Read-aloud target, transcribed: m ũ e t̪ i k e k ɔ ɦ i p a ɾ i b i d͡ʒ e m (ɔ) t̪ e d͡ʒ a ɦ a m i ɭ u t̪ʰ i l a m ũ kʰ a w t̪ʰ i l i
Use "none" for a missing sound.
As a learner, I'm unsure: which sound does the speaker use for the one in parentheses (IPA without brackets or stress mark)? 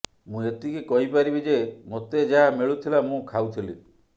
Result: o